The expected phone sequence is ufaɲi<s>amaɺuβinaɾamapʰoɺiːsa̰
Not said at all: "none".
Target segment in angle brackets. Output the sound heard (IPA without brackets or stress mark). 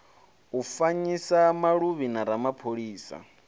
s